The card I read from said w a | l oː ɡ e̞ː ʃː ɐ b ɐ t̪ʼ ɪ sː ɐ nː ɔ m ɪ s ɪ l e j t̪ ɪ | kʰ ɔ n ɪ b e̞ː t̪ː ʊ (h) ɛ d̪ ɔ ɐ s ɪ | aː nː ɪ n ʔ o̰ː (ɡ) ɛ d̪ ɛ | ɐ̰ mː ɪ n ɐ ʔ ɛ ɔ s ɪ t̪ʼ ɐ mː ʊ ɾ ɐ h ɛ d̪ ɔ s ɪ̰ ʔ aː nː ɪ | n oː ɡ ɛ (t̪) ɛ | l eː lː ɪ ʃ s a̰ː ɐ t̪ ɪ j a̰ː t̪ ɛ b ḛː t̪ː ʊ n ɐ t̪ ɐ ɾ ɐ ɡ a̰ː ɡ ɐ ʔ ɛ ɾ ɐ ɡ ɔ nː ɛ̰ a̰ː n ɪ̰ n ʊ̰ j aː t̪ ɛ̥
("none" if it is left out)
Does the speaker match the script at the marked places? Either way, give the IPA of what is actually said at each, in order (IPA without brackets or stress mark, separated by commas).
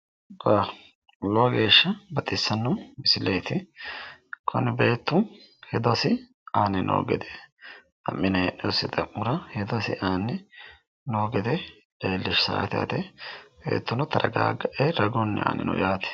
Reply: h, ɡ, d̪